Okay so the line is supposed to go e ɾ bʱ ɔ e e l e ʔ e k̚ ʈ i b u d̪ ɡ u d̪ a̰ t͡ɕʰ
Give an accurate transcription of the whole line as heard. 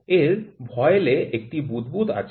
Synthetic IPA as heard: e ɾ bʱ ɔ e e l e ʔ e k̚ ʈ i b u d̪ b u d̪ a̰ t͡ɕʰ